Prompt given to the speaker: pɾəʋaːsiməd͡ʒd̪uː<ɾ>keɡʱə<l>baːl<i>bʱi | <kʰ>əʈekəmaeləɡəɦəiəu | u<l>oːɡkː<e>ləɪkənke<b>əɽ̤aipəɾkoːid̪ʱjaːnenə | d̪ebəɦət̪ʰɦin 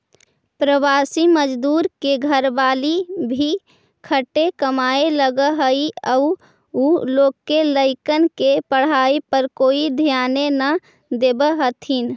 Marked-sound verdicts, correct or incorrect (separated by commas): correct, incorrect, correct, correct, correct, correct, incorrect